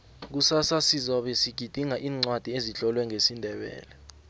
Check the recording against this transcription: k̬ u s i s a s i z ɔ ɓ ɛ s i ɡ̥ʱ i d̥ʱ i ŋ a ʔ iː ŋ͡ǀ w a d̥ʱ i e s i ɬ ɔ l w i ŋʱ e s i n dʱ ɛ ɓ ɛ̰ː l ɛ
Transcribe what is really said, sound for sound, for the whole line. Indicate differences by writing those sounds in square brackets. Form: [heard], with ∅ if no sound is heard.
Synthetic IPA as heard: k̬ u s [a] s a s i z ɔ ɓ ɛ s i ɡ̥ʱ i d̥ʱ i ŋ a ʔ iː ŋ͡ǀ w a d̥ʱ i e [z] i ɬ ɔ l w [ɛ] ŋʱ e s i n dʱ ɛ ɓ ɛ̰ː l ɛ